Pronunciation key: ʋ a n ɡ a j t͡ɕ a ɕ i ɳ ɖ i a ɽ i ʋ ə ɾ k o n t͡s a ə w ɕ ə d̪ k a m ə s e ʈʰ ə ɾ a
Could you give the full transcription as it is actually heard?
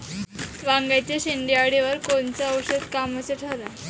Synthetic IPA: ʋ a ŋ ɡ a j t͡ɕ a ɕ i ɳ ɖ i a ɽ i ʋ ə ɾ k o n t͡s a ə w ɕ ə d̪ k a m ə s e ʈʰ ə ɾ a